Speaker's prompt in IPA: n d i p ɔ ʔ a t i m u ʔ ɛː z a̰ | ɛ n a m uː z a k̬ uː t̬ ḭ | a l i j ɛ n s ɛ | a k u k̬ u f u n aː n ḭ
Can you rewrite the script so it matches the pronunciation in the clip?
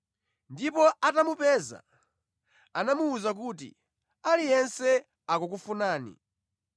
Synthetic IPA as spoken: n d i p ɔ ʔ a t a m u p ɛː z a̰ | a n a m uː z a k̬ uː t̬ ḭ | a l i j ɛ n s ɛ | a k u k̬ u f u n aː n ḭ